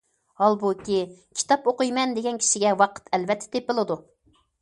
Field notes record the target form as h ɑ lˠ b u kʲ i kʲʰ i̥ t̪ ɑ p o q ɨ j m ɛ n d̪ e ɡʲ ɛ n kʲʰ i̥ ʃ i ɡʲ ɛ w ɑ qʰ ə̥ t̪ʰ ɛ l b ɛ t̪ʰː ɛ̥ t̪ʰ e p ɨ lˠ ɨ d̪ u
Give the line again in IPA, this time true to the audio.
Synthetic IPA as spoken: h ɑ lˠ b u kʲ i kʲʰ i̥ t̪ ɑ p o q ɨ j m ɛ n d̪ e ɡʲ ɛ n kʲʰ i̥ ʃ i ɡʲ ɛ w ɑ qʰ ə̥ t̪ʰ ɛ l v ɛ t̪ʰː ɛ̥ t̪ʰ e p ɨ lˠ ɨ d̪ u